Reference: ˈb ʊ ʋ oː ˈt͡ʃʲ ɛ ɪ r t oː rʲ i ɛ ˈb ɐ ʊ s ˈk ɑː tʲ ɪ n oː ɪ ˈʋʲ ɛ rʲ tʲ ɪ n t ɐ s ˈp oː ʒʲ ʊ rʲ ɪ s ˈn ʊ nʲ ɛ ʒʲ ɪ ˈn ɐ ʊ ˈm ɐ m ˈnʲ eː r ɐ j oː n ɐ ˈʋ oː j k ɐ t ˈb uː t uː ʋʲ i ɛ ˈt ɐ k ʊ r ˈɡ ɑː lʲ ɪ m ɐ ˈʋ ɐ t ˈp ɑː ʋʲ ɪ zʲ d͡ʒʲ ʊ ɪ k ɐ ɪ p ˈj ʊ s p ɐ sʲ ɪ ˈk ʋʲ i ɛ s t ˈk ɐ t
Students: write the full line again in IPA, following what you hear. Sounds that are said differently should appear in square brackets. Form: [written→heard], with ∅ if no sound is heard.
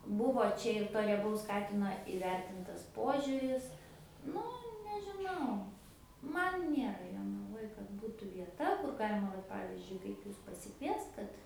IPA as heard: ˈb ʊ ʋ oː ˈt͡ʃʲ ɛ ɪ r t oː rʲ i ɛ ˈb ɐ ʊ s ˈk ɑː tʲ ɪ n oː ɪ ˈʋʲ ɛ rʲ tʲ ɪ n t ɐ s ˈp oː ʒʲ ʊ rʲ ɪ s ˈn ʊ nʲ ɛ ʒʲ ɪ ˈn ɐ ʊ ˈm ɐ [m→n] ˈnʲ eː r ɐ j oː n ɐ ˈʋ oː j k ɐ t ˈb uː t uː ʋʲ i ɛ ˈt ɐ k ʊ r ˈɡ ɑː lʲ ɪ m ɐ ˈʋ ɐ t ˈp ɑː ʋʲ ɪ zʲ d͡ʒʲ ʊ ɪ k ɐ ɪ p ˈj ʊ s p ɐ sʲ ɪ ˈk ʋʲ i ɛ s t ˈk ɐ t